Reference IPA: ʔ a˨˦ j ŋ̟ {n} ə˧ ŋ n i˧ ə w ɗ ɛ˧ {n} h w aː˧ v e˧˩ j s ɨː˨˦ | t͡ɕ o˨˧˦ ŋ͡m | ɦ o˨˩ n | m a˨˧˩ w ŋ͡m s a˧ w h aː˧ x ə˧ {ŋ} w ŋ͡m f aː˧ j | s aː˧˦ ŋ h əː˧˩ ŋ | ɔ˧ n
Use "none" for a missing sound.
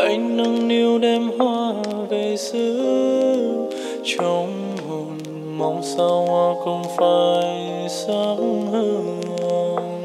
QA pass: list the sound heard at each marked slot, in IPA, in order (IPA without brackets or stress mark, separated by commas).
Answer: n, m, none